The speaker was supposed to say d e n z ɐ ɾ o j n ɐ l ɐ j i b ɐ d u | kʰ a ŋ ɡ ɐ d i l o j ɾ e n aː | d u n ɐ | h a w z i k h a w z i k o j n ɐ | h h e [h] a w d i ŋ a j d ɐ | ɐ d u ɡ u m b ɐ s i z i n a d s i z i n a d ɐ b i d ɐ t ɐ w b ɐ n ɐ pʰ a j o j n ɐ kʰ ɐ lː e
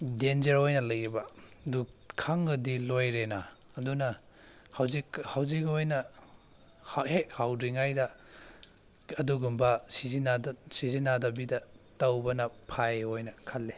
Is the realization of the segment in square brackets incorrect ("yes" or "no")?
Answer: no